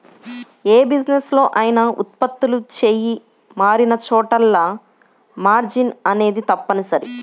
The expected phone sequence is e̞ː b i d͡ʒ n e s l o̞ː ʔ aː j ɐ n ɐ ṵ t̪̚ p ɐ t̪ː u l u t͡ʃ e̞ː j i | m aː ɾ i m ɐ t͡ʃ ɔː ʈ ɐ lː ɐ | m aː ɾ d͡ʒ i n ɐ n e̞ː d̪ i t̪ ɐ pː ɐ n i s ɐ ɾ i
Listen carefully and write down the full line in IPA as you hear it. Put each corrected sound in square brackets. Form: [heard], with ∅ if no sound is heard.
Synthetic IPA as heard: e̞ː b i d͡ʒ n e s l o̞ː ʔ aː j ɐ n ɐ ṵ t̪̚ p ɐ t̪ː u l u t͡ʃ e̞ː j i | m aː ɾ i [n] ɐ t͡ʃ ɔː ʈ ɐ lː ɐ | m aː ɾ d͡ʒ i n ɐ n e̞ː d̪ i t̪ ɐ pː ɐ n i s ɐ ɾ i